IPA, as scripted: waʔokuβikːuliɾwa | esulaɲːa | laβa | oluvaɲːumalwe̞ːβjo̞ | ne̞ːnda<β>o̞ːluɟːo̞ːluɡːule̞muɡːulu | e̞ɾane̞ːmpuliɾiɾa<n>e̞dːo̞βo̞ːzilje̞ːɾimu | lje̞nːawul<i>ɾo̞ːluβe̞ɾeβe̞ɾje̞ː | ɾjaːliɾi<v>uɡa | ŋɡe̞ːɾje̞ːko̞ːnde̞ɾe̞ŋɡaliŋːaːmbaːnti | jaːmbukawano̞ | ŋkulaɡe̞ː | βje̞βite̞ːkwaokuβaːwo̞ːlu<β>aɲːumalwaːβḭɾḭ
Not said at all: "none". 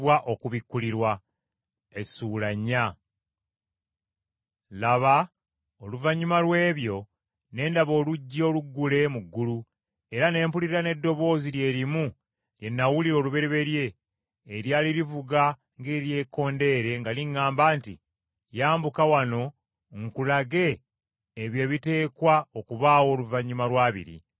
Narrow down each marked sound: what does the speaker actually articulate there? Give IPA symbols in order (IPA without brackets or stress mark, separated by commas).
β, n, i, v, v